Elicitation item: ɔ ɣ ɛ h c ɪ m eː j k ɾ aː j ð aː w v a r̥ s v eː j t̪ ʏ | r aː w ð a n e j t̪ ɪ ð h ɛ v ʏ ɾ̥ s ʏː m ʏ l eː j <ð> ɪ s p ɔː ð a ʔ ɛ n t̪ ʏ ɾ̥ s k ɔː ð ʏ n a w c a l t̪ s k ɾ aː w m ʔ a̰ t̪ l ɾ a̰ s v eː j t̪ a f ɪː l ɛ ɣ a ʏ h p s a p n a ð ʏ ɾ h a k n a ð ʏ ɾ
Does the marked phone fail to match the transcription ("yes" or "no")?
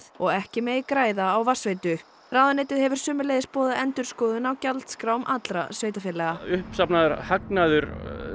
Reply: no